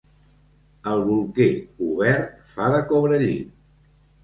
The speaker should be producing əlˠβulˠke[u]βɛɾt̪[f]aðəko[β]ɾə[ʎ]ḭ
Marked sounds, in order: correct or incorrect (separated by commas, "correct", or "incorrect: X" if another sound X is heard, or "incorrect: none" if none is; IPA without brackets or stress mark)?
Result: correct, correct, correct, correct